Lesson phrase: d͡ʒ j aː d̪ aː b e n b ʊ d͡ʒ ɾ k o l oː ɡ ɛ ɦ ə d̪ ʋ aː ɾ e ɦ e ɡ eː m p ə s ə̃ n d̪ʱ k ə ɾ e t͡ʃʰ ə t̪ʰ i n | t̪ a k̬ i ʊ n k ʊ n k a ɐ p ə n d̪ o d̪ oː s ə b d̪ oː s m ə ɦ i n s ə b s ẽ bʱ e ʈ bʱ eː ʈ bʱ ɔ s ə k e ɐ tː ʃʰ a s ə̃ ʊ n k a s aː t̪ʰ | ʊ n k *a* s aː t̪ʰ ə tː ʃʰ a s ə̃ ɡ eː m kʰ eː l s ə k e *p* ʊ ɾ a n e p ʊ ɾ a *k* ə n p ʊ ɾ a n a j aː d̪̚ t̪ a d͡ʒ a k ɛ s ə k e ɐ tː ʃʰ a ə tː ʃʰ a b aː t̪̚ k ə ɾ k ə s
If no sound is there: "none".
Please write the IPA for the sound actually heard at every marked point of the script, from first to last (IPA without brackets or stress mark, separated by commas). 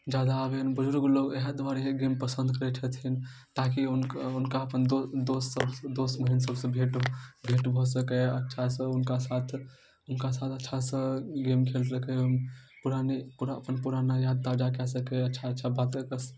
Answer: a, p, p